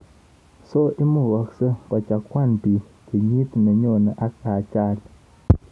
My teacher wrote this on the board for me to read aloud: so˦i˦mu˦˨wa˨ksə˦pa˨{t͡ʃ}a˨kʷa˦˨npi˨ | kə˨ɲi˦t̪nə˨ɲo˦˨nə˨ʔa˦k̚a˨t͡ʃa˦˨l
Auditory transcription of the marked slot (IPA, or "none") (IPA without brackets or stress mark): t͡ʃ